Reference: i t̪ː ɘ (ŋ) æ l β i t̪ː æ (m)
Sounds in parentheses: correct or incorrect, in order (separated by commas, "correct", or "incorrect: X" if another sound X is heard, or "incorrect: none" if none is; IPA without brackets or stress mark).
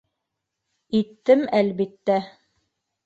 incorrect: m, incorrect: none